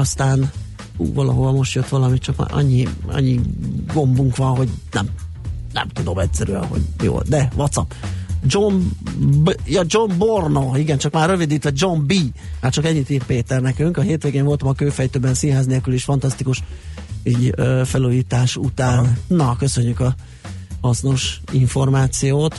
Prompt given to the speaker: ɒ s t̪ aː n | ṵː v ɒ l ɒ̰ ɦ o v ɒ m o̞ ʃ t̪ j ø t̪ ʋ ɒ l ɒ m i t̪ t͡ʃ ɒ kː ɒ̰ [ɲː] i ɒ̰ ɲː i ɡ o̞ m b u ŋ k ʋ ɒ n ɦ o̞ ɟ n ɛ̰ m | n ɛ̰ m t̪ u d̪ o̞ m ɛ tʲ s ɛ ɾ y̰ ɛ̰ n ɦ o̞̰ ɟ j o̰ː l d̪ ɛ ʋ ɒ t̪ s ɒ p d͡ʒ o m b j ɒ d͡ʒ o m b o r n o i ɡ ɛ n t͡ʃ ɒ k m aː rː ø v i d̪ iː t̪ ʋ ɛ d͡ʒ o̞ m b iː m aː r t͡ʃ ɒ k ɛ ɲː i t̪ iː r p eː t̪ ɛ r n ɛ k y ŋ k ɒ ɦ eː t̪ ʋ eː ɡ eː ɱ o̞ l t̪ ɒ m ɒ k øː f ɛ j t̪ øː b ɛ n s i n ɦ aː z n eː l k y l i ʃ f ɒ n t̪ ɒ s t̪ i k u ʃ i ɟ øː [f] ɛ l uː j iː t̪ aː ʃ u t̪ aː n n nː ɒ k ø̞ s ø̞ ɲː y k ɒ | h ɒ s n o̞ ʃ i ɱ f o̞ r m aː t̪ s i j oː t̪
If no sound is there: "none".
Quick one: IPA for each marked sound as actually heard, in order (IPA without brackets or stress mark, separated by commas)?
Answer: ɲː, f